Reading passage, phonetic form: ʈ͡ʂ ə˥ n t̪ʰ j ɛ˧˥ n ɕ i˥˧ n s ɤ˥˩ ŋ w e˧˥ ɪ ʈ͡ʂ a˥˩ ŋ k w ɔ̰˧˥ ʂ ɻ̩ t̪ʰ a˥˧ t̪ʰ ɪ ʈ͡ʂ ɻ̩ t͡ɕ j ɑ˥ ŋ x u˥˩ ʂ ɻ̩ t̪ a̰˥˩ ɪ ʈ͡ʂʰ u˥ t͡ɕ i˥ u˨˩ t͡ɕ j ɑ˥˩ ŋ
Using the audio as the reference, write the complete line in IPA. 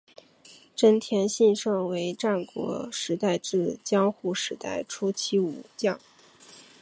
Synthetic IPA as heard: ʈ͡ʂ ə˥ n t̪ʰ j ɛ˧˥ n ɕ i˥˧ n ʂ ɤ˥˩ ŋ w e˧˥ ɪ ʈ͡ʂ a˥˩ n k w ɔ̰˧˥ ʂ ɻ̩ t̪ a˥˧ ɪ ʈ͡ʂ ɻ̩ t͡ɕ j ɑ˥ ŋ x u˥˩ ʂ ɻ̩ t̪ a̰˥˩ ɪ ʈ͡ʂʰ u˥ t͡ɕʰ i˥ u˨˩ t͡ɕ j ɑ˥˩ ŋ